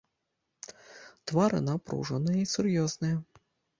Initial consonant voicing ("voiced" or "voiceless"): voiceless